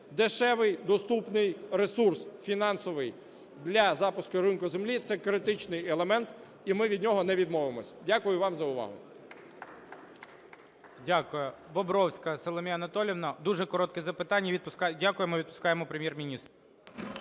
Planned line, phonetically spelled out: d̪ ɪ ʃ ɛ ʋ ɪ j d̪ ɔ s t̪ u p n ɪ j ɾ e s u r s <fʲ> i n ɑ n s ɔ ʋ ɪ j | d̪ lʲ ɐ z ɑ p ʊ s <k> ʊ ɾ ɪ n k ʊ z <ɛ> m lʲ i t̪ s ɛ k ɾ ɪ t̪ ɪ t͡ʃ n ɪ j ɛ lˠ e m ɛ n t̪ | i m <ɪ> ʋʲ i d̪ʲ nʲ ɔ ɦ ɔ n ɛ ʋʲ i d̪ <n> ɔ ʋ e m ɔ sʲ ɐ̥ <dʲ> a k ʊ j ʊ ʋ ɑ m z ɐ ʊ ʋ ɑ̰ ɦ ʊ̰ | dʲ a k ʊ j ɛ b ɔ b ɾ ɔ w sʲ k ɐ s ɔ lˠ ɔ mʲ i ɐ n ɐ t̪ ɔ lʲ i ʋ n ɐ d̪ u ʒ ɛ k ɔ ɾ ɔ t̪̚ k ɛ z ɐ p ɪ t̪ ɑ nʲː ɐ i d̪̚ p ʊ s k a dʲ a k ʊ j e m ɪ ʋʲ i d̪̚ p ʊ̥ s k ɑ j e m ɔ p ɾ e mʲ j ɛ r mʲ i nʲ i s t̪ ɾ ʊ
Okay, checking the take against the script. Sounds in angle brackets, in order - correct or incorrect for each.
correct, correct, incorrect: e, correct, incorrect: m, correct

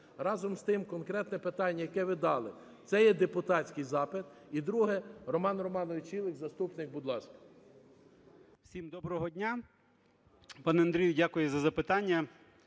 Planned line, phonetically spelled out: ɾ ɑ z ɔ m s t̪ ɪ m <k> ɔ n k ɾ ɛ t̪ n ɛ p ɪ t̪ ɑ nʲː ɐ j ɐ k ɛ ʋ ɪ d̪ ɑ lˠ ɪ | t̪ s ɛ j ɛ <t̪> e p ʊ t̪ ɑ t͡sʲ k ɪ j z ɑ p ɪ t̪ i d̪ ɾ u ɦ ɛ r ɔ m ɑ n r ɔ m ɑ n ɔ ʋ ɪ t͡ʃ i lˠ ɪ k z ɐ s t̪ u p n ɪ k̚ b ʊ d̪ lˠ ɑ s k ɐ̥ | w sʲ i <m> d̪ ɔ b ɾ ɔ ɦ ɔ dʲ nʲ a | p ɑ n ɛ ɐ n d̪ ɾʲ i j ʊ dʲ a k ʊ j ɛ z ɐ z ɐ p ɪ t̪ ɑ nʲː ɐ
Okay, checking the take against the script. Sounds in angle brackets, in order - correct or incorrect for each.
correct, incorrect: d̪, correct

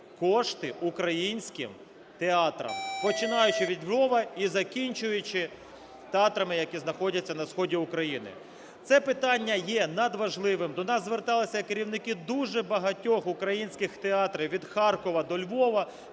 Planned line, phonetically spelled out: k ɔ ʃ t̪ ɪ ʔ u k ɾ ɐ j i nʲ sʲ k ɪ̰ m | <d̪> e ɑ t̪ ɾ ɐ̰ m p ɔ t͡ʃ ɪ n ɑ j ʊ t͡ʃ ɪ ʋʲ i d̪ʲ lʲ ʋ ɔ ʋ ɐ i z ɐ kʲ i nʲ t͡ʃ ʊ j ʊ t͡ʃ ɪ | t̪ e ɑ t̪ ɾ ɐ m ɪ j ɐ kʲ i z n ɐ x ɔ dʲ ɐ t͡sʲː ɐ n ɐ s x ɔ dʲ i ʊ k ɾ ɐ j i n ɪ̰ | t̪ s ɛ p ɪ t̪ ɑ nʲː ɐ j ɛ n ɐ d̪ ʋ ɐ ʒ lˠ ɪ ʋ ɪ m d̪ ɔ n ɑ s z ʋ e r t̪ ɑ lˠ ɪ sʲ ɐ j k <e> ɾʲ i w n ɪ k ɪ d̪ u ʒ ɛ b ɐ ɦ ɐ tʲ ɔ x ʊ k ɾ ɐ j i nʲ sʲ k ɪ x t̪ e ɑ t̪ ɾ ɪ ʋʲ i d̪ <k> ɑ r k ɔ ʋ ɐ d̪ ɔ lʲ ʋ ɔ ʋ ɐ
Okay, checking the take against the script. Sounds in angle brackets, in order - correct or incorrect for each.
incorrect: t̪, correct, incorrect: x

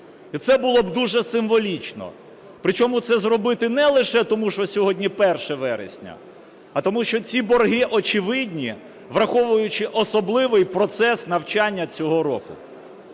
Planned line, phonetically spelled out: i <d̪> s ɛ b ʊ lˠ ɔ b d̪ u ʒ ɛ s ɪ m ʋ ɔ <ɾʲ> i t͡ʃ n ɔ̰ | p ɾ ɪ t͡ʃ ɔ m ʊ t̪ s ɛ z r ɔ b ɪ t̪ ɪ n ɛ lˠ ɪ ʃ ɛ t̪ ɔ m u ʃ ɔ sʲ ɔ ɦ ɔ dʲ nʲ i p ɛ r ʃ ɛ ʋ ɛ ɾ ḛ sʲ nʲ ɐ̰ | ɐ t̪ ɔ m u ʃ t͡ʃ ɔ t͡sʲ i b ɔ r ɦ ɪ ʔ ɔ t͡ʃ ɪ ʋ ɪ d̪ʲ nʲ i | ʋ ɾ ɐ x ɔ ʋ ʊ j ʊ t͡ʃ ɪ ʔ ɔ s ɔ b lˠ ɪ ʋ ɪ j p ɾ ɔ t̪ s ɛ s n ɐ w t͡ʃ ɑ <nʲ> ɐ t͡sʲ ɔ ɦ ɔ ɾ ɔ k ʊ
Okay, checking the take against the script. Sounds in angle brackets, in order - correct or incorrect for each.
incorrect: t̪, incorrect: lʲ, incorrect: nʲː

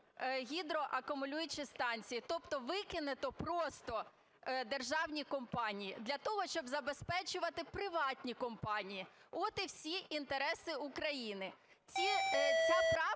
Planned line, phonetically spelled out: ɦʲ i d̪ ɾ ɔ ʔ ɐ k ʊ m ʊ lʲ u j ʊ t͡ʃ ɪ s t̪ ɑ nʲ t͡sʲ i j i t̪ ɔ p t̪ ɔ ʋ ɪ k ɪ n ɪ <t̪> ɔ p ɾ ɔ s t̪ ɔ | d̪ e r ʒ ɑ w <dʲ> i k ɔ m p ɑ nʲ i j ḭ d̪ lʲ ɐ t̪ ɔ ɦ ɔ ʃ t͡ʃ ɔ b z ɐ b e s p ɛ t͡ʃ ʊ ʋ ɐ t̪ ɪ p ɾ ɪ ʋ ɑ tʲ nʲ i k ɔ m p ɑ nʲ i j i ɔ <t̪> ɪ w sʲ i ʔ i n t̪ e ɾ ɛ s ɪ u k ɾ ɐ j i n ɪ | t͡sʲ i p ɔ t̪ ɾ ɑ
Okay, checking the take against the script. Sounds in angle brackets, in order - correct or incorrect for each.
correct, incorrect: nʲ, correct

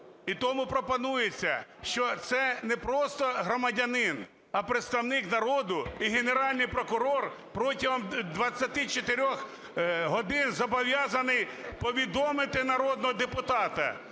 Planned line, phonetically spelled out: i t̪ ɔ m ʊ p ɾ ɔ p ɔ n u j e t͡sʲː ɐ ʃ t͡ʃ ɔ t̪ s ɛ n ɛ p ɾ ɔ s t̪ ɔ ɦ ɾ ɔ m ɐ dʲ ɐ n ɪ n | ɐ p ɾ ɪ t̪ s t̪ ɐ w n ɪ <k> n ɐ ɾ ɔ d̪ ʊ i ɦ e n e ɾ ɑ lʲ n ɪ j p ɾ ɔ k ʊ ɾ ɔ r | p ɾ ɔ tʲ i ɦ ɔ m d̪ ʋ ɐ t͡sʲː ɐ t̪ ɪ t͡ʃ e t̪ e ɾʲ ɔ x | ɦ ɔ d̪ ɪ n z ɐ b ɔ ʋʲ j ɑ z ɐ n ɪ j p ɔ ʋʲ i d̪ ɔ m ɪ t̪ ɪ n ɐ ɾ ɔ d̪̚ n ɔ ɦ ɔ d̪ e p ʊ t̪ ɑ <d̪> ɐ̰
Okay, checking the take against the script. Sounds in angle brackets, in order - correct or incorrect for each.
correct, incorrect: t̪

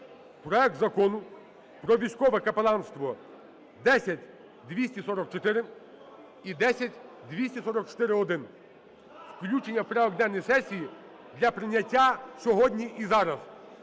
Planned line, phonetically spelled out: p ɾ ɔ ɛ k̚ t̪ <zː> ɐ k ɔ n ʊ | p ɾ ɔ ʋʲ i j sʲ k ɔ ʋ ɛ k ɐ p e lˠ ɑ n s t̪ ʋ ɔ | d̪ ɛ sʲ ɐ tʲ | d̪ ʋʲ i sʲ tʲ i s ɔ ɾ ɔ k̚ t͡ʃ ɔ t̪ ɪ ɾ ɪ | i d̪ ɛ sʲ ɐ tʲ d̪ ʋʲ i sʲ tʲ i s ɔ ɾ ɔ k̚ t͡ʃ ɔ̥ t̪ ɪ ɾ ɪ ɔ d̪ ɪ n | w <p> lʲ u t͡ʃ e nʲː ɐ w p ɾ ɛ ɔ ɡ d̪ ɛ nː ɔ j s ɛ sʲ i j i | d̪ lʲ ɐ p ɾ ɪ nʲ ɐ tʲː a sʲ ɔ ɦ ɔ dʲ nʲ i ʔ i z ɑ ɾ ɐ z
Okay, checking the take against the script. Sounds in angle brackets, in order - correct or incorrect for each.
incorrect: z, incorrect: k

